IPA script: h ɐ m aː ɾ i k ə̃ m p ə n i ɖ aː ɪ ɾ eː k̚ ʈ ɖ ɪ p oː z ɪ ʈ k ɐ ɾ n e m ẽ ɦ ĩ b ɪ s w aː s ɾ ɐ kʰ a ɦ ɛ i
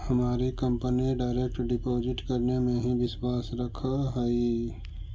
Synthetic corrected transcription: h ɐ m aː ɾ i k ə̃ m p ə n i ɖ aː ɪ ɾ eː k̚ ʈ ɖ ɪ p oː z ɪ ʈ k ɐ ɾ n e m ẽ ɦ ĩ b ɪ s w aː s ɾ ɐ kʰ a ɦ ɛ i

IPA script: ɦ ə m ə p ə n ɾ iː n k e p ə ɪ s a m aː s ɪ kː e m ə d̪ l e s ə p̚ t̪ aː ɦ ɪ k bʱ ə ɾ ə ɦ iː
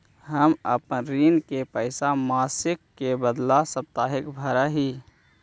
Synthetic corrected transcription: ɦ ə m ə p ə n ɾ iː n k e p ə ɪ s a m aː s ɪ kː e b ə d̪ l a s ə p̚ t̪ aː ɦ ɪ k bʱ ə ɾ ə ɦ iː

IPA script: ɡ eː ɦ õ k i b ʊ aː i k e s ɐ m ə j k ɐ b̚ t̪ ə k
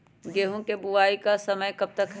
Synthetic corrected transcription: ɡ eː ɦ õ k e b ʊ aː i k a s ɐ m ə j k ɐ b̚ t̪ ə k

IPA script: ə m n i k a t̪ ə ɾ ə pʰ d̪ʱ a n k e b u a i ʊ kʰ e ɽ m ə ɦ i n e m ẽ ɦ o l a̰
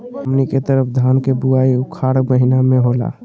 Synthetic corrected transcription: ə m n i k e t̪ ə ɾ ə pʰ d̪ʱ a n k e b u a i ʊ kʰ a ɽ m ə ɦ i n a m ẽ ɦ o l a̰

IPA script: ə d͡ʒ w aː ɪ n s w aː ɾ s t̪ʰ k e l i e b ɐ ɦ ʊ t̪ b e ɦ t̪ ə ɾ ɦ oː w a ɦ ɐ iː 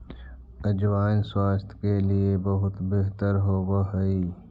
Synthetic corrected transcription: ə d͡ʒ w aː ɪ n s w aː s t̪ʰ k e l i e b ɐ ɦ ʊ t̪ b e ɦ t̪ ə ɾ ɦ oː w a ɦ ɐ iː

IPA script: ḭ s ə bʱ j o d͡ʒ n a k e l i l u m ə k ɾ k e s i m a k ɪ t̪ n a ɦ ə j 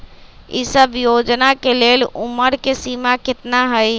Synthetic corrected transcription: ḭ s ə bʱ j o d͡ʒ n a k e l e l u m ə ɾ k e s i m a k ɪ t̪ n a ɦ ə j

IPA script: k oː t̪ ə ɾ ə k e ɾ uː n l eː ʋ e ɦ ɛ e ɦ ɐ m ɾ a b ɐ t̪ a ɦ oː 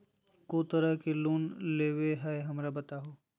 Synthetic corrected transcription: k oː t̪ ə ɾ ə k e l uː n l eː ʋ e ɦ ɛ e ɦ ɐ m ɾ a b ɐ t̪ a ɦ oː

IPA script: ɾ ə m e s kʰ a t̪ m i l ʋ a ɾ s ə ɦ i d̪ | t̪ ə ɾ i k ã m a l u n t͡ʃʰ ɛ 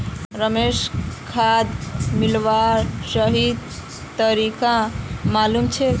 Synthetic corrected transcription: ɾ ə m e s kʰ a d̪ m i l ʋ a ɾ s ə ɦ i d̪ | t̪ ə ɾ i k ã m a l u m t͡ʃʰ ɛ

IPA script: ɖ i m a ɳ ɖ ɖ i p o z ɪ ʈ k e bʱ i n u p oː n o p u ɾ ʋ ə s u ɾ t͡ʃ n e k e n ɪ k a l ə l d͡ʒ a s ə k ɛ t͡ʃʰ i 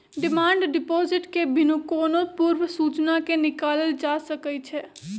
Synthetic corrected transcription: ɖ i m a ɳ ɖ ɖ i p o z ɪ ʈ k e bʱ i n u k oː n o p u ɾ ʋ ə s u t͡ʃ n a k e n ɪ k a l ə l d͡ʒ a s ə k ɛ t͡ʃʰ ɛ

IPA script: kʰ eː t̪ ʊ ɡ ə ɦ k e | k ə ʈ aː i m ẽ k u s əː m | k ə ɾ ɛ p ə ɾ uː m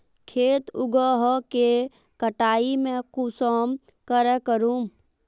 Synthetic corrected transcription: kʰ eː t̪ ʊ ɡ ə ɦ k e | k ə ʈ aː i m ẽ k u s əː m | k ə ɾ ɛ k ə ɾ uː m

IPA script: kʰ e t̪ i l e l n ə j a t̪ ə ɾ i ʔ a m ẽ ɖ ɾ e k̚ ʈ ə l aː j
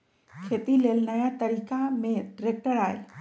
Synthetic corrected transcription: kʰ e t̪ i l e l n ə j a t̪ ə ɾ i k a m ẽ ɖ ɾ e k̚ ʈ ə ɾ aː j

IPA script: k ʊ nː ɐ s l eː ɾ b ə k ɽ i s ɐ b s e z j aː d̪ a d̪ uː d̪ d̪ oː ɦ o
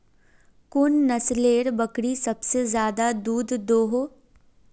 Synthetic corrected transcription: k ʊ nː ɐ s l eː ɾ b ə k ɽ i s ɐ b s e z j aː d̪ a d̪ uː d̪ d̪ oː ɦ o

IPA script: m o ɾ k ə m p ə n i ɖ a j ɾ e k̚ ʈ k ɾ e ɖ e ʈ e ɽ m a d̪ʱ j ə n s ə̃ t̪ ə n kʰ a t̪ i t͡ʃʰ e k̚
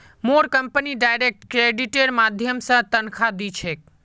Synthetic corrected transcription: m o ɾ k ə m p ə n i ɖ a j ɾ e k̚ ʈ k ɾ e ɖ i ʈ e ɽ m a d̪ʱ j ə m s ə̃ t̪ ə n kʰ a d̪ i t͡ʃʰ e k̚

